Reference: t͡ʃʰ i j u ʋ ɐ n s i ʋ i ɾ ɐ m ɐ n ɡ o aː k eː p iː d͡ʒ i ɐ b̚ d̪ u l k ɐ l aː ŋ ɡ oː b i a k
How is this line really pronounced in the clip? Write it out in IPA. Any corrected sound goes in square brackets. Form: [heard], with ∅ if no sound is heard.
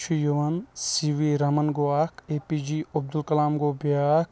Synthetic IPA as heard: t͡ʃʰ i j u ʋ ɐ n s i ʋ i ɾ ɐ m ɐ n ɡ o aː k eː p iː d͡ʒ i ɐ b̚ d̪ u l k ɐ l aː [m] ɡ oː b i a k